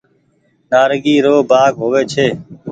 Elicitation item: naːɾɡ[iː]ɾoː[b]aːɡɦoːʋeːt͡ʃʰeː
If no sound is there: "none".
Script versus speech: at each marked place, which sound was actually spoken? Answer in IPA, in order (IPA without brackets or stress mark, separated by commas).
iː, b